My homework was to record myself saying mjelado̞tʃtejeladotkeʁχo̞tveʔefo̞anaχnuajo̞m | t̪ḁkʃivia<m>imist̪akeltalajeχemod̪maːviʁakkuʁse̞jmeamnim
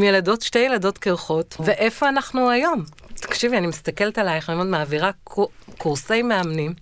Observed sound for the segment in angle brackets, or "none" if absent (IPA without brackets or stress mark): n